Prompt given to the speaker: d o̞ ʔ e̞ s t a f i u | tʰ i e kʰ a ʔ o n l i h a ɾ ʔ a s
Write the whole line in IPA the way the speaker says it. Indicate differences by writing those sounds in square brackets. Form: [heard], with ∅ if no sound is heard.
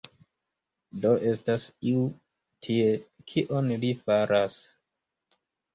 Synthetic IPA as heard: d o̞ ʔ e̞ s t a [s] i u | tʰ i e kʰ [i] ʔ o n l i [f] a ɾ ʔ a s